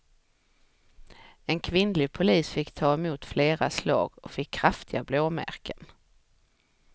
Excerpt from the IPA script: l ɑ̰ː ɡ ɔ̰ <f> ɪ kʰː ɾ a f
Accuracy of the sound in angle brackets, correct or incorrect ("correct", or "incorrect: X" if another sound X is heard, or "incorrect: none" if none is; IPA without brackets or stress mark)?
correct